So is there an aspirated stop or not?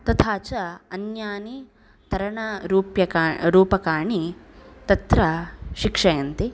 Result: yes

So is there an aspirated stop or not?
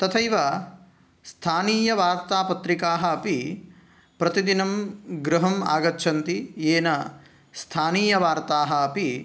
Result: yes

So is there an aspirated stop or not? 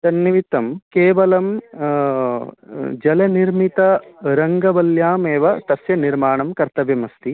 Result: no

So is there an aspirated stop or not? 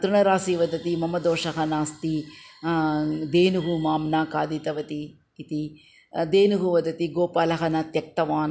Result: no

